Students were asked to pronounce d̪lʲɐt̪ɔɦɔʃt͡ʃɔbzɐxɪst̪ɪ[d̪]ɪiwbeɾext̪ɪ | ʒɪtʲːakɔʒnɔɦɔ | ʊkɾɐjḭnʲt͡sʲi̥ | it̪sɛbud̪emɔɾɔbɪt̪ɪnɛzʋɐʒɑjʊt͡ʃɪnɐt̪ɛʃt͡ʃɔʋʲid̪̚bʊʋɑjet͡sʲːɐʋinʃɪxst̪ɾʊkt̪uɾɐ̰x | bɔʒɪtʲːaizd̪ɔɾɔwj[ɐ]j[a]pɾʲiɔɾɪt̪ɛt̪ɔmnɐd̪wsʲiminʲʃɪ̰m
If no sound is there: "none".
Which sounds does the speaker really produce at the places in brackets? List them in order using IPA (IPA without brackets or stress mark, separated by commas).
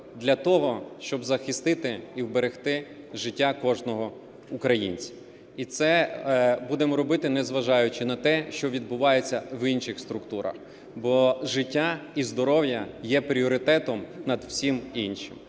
t̪, ɐ, ɛ